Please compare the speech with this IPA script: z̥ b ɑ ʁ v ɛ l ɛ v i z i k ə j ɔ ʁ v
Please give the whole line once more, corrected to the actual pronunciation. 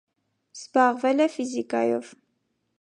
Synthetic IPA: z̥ b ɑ ʁ v ɛ l ɛ f i z i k ɑ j ɔ v